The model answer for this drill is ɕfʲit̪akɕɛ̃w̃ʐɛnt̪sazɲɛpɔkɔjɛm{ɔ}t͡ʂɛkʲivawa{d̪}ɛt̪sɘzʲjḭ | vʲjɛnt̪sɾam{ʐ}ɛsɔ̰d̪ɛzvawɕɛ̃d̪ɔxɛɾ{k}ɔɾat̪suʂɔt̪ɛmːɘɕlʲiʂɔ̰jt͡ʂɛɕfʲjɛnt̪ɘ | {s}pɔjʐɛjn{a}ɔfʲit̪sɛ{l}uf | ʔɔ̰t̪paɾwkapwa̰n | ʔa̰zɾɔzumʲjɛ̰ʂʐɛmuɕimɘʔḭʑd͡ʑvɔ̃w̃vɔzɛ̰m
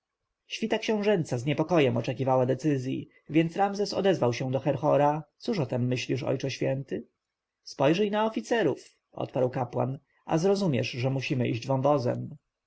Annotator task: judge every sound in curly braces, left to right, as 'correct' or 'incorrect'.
correct, correct, incorrect: z, incorrect: x, correct, correct, incorrect: ɾ

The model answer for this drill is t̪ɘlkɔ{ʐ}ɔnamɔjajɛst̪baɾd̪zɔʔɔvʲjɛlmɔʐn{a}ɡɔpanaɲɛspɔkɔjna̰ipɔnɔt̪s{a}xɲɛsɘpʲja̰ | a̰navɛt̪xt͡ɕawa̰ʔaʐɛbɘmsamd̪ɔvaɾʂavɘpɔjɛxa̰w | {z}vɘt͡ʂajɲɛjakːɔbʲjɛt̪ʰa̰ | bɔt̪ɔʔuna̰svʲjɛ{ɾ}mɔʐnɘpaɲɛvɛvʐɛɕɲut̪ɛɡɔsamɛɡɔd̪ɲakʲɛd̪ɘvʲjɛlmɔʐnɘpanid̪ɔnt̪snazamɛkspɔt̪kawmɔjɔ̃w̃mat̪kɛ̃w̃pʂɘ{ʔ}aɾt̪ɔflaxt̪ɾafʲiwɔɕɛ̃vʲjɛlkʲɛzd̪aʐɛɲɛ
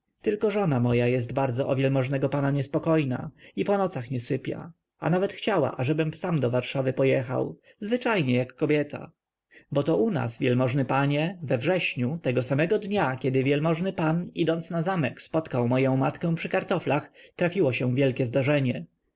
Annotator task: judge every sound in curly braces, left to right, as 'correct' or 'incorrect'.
correct, incorrect: ɛ, correct, correct, incorrect: l, incorrect: k

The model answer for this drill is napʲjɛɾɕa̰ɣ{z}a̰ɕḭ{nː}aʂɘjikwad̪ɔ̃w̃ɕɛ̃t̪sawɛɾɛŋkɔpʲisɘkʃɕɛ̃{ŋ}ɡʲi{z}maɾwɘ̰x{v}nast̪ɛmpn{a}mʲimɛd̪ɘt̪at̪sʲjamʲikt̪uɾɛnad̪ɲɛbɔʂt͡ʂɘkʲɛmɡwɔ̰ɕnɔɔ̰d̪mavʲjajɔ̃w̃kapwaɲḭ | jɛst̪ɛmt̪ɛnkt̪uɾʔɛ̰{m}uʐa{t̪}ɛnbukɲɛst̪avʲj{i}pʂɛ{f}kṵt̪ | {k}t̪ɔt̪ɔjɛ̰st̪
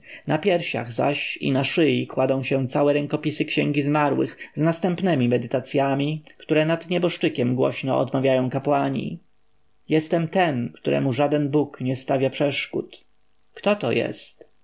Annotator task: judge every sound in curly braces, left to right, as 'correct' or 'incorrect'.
correct, incorrect: n, correct, correct, incorrect: z, incorrect: ɛ, correct, incorrect: d̪, incorrect: a, incorrect: ʂ, correct

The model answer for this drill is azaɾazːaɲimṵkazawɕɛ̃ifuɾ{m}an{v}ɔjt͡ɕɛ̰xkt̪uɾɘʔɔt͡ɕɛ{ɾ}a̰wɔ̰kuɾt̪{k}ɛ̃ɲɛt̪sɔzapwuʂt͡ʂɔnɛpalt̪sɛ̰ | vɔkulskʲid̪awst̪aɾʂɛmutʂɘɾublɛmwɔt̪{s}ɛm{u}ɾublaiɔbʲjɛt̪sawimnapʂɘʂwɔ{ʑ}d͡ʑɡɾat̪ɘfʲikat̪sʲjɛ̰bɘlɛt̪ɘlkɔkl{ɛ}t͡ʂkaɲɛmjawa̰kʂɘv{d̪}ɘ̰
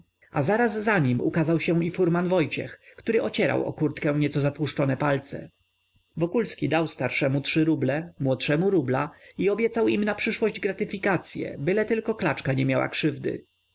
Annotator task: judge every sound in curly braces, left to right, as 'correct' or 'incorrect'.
correct, correct, correct, correct, incorrect: ʂ, correct, correct, incorrect: a, correct

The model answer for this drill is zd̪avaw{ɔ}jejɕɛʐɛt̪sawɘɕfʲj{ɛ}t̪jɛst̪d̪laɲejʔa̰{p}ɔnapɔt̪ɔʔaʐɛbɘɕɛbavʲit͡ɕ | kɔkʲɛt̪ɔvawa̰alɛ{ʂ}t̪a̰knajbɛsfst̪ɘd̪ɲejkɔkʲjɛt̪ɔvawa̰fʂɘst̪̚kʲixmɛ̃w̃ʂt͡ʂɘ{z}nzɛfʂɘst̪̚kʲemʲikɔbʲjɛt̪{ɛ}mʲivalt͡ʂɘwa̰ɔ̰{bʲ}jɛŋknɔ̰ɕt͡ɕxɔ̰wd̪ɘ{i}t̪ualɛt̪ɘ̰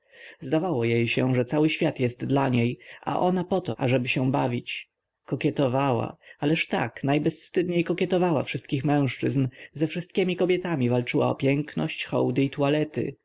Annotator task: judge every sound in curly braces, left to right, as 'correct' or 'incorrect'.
correct, incorrect: a, incorrect: ʔ, correct, correct, incorrect: a, incorrect: pʲ, correct

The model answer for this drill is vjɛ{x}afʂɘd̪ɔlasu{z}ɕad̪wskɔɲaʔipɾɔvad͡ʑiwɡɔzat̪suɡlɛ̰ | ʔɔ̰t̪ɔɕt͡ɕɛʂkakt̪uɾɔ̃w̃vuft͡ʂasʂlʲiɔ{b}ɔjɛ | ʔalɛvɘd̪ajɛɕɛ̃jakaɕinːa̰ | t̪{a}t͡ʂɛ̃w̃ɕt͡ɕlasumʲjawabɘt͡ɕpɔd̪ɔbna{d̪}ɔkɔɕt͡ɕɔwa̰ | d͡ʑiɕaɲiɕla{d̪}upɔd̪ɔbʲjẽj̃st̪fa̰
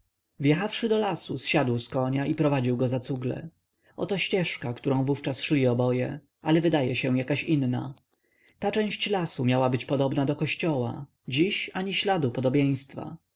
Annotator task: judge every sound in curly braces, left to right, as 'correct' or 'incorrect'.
correct, incorrect: s, correct, correct, correct, correct

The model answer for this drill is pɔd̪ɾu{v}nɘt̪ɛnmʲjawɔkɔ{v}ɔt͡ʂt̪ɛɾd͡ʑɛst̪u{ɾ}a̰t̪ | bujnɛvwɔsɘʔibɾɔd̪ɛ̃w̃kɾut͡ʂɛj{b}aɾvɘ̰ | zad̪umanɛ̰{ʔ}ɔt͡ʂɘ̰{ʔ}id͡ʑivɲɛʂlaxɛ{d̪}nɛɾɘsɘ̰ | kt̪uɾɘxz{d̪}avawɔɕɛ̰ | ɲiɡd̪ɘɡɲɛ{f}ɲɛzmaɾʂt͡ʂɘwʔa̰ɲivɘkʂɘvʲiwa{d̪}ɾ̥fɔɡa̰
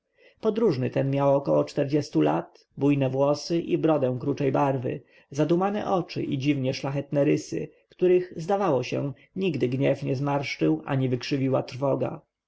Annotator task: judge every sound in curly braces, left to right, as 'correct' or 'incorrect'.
incorrect: ʐ, incorrect: w, incorrect: l, correct, correct, correct, incorrect: t̪, correct, correct, incorrect: t̪

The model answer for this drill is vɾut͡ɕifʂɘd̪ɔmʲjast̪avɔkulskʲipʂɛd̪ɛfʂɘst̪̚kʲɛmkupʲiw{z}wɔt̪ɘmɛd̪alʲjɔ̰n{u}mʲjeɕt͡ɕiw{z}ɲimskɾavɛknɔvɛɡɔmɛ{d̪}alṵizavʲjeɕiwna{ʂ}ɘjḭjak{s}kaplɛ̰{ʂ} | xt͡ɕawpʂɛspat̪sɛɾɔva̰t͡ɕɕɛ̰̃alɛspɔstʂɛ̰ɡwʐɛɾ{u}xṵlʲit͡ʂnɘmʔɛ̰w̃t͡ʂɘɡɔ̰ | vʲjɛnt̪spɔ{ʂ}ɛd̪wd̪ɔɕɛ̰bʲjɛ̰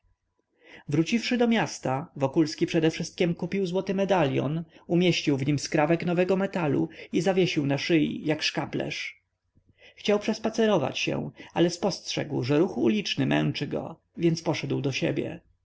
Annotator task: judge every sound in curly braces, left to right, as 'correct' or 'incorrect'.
correct, correct, incorrect: v, incorrect: t̪, correct, incorrect: ʂ, correct, correct, correct

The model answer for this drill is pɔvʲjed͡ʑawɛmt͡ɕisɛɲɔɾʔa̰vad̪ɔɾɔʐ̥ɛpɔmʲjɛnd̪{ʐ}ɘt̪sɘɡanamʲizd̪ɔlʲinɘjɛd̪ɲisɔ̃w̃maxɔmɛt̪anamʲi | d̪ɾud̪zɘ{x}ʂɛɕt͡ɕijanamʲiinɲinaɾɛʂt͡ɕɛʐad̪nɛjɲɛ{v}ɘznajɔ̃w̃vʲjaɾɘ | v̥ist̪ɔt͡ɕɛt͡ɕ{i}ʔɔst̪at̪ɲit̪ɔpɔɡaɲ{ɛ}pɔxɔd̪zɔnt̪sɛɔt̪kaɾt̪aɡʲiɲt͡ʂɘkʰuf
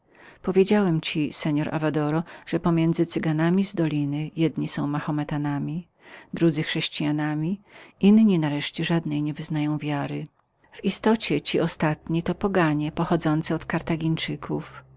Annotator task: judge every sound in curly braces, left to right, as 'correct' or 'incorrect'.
incorrect: z, correct, correct, correct, correct

